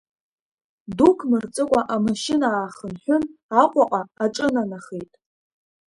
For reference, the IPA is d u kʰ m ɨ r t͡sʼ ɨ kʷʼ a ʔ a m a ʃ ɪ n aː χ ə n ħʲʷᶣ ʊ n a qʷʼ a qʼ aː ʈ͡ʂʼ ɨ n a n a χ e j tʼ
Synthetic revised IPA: d u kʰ m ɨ r t͡sʼ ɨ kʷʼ a ʔ a m a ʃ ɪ n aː χ ə n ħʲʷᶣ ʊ n a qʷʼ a qʼ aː ʈ͡ʂʼ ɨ n a n a χ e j tʼ

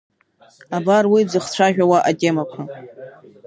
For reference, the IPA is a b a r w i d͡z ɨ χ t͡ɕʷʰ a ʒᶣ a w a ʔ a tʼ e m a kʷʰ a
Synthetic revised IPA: a b a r w i d͡z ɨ χ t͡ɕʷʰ a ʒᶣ a w a ʔ a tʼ e m a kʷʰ a

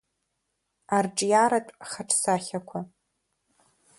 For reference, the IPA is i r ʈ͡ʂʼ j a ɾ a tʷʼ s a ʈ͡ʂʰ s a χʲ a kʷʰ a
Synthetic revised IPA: a r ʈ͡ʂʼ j a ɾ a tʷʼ χ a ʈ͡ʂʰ s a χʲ a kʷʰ a

